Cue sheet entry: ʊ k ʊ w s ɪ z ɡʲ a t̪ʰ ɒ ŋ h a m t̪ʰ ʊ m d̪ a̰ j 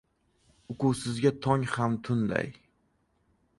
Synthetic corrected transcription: ʊ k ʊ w s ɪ z ɡʲ a t̪ʰ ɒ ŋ h a m t̪ʰ ʊ n d̪ a̰ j

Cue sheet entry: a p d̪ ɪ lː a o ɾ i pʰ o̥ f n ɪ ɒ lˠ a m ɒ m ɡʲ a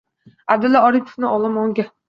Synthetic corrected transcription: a b d̪ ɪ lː a ɒ ɾ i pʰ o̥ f n ɪ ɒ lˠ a m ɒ ŋ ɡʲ a

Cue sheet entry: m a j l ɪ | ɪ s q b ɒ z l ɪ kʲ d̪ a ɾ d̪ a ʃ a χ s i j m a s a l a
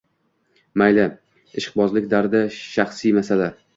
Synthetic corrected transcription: m a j l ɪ | ɪ ʃ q b ɒ z l ɪ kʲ d̪ a ɾ d̪ a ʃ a χ s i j m a s a l a

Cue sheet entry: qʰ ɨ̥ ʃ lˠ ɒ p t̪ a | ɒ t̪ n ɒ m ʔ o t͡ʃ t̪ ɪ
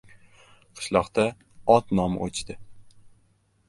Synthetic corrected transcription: qʰ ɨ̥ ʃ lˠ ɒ q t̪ a | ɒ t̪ n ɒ m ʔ o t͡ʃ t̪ ɪ

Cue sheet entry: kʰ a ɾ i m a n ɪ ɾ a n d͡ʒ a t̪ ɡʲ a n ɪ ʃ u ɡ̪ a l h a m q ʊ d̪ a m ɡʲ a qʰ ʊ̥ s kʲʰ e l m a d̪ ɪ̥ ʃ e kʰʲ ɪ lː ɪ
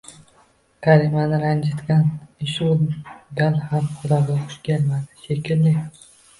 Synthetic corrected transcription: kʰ a ɾ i m a n ɪ ɾ a n d͡ʒ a t̪ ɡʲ a n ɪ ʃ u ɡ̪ a l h a m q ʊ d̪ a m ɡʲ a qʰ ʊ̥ ʃ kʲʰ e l m a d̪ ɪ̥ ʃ e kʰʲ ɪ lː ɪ

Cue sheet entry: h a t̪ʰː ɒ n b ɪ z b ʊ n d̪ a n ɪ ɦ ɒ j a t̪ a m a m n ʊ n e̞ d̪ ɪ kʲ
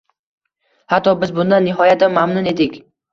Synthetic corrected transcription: h a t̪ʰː ɒ b ɪ z b ʊ n d̪ a nː ɪ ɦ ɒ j a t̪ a m a m n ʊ n e̞ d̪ ɪ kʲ

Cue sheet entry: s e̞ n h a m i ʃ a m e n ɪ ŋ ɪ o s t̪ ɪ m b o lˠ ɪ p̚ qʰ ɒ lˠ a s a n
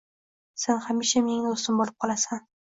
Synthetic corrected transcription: s e̞ n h a m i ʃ a m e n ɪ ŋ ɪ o s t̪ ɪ m b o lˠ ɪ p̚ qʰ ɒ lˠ a s a n

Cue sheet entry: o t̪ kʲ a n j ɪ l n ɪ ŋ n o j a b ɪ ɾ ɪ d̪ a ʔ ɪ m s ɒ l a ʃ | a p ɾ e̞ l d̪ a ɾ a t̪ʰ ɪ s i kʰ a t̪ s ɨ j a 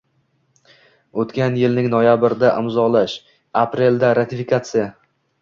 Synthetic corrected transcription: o t̪ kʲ a n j ɪ l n ɪ ŋ n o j a b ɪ ɾ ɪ d̪ a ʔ ɪ m z ɒ l a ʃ | a p ɾ e̞ l d̪ a ɾ a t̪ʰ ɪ f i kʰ a t̪ s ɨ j a

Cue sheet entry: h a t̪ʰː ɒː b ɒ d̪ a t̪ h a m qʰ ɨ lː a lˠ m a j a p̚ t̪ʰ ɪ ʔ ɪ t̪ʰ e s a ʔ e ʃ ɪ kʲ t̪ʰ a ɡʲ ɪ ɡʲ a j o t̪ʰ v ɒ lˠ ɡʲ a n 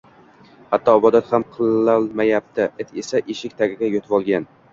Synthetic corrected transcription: h a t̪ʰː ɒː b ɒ d̪ a t̪ h a m qʰ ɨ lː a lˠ m a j a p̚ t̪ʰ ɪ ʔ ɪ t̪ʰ e s a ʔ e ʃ ɪ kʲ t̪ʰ a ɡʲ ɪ ɡʲ a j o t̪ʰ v ɒ lˠ ɡʲ a n

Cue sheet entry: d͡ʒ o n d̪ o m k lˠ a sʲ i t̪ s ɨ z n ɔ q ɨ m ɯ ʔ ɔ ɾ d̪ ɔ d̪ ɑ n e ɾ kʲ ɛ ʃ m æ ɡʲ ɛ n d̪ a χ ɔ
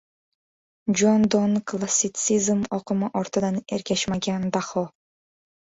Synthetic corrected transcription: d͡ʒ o n d̪ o n k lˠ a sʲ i t̪ s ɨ z m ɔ q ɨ m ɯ ʔ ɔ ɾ t̪ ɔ d̪ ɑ n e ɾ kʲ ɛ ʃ m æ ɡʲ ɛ n d̪ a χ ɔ

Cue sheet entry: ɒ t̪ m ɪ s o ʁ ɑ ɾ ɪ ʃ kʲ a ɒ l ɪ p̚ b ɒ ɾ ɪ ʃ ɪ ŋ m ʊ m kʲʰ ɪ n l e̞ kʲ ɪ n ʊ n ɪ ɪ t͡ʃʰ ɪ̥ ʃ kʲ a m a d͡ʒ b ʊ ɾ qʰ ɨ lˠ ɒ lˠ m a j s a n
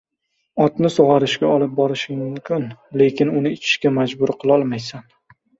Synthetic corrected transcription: ɒ t̪ n ɪ s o ʁ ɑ ɾ ɪ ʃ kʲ a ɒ l ɪ p̚ b ɒ ɾ ɪ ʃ ɪ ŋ m ʊ m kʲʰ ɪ n l e̞ kʲ ɪ n ʊ n ɪ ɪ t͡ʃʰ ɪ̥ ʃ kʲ a m a d͡ʒ b ʊ ɾ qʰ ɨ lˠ ɒ lˠ m a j s a n

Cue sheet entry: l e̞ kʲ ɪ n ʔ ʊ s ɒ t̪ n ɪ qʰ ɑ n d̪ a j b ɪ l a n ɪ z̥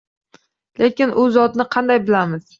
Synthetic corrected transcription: l e̞ kʲ ɪ n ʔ ʊ z ɒ t̪ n ɪ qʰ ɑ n d̪ a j b ɪ l a m ɪ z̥

